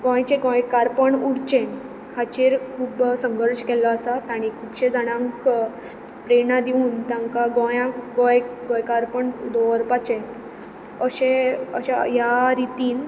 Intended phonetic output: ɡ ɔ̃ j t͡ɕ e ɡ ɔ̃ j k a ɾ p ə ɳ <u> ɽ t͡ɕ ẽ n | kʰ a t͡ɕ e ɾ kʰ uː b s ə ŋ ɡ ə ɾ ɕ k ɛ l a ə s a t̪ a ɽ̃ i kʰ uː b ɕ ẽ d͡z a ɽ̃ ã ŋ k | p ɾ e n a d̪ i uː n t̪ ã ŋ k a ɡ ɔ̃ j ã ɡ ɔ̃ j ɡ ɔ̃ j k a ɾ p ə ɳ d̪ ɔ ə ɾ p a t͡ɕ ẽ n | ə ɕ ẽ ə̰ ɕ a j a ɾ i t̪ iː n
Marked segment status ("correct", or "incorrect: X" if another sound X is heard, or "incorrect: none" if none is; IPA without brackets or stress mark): correct